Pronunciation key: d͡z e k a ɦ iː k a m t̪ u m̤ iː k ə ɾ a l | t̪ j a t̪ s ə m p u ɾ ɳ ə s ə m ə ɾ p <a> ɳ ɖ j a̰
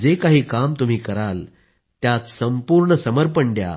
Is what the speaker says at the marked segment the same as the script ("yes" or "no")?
no